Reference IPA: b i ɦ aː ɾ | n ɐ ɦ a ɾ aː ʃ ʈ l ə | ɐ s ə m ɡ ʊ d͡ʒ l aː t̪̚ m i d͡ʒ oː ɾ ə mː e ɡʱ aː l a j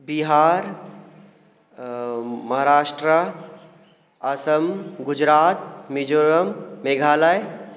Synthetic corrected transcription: b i ɦ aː ɾ | m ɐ ɦ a ɾ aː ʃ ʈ ɾ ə | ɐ s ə m ɡ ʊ d͡ʒ ɾ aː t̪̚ m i d͡ʒ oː ɾ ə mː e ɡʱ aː l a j